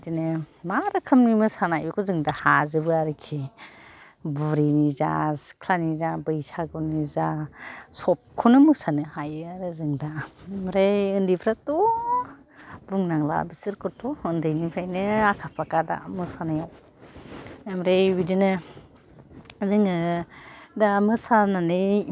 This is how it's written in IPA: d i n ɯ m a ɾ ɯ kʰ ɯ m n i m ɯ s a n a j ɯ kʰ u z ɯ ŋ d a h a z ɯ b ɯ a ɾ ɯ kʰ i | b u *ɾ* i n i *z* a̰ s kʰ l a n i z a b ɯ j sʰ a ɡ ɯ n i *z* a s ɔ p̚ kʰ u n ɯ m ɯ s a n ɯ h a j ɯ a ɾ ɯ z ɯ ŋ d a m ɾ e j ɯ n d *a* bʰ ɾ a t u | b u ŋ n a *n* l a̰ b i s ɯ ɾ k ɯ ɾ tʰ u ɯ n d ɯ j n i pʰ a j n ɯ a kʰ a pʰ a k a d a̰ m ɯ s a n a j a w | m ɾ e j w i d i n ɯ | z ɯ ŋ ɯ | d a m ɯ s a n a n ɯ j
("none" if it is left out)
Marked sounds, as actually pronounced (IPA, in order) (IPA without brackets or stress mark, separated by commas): ɾ, z, z, i, ŋ